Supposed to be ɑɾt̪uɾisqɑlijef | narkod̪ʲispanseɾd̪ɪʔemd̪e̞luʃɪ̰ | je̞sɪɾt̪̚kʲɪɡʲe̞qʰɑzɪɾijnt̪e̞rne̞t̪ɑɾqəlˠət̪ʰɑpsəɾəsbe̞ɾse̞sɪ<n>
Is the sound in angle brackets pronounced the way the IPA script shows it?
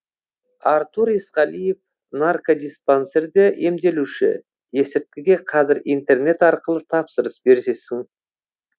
no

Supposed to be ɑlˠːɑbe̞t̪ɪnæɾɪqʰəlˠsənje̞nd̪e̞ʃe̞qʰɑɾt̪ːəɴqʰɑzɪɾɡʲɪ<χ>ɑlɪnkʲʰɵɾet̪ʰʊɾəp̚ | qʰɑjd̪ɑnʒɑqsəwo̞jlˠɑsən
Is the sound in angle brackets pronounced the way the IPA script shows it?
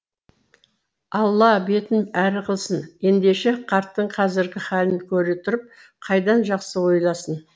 yes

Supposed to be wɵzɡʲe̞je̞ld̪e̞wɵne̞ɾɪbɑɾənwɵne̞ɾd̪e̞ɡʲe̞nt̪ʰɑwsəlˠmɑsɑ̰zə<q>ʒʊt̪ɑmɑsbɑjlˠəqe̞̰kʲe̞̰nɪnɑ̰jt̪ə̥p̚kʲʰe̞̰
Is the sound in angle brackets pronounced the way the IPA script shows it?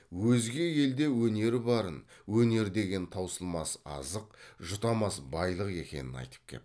yes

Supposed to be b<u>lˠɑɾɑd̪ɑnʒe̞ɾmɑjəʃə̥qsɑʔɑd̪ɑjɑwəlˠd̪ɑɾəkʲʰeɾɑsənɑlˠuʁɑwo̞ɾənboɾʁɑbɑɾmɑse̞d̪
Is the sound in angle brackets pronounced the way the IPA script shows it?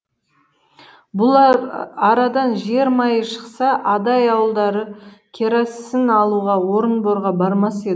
no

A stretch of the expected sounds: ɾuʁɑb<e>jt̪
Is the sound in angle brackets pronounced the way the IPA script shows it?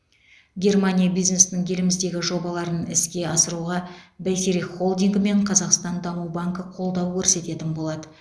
no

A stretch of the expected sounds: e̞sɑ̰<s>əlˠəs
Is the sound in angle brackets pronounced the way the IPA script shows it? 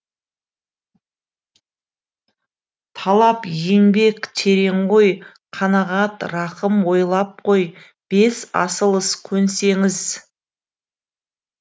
yes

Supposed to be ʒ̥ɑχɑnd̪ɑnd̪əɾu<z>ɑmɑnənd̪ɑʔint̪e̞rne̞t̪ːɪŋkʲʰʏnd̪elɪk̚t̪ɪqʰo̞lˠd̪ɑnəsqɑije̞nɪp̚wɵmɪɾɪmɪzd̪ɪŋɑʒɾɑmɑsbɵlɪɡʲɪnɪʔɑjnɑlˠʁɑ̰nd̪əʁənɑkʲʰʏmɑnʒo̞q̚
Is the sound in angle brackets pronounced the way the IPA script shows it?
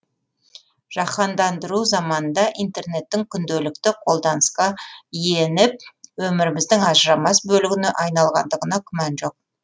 yes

